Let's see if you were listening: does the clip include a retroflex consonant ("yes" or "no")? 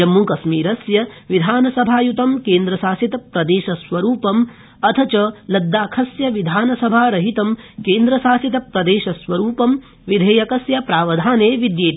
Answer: no